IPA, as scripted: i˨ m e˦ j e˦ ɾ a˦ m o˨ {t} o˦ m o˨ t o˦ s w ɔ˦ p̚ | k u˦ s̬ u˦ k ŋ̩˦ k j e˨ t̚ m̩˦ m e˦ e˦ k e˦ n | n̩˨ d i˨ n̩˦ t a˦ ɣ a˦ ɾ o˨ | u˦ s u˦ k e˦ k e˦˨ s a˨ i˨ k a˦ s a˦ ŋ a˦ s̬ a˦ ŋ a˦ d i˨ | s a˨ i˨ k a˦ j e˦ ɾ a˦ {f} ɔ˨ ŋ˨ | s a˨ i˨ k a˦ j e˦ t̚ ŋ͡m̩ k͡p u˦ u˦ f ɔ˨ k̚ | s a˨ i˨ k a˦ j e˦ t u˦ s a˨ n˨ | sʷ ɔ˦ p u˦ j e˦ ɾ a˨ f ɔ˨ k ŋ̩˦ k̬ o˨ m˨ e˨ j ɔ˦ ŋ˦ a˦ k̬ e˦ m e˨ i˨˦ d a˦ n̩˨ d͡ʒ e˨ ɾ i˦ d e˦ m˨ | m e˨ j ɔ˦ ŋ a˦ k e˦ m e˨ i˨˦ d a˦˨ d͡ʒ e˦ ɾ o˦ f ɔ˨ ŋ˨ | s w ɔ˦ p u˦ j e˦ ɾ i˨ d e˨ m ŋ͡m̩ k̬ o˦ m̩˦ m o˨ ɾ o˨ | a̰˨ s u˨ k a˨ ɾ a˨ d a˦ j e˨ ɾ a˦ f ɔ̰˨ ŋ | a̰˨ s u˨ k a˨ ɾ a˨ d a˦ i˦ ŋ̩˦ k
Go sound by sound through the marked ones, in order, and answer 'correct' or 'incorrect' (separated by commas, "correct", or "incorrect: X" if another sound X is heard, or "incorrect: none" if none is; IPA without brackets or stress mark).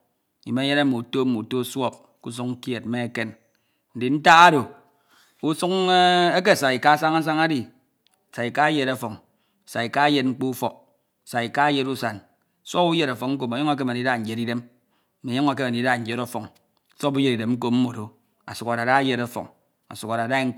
correct, correct